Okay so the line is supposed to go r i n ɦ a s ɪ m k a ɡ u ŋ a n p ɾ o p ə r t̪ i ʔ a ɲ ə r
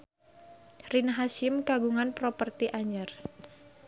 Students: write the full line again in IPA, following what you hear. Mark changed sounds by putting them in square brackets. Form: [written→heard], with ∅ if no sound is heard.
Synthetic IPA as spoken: r i n ɦ a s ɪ m k a ɡ u ŋ a n p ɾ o p ə r t̪ i ʔ a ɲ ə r